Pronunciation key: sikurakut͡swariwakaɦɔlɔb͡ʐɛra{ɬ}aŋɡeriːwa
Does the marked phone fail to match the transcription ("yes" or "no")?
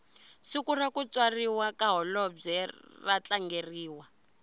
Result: yes